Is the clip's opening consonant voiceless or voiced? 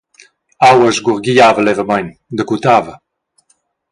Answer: voiced